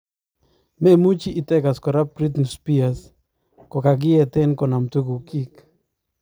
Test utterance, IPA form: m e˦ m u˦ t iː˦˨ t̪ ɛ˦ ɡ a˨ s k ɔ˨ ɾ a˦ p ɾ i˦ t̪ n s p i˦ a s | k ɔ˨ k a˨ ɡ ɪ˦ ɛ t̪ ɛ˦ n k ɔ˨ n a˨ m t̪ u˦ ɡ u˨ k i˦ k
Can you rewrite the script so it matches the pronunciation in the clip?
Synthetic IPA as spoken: m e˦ m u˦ t͡ʃ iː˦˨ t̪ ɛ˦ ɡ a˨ s k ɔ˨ ɾ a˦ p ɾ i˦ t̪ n s p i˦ a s | k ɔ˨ k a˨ ɡ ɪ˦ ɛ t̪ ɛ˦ n k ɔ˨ n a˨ m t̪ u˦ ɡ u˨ k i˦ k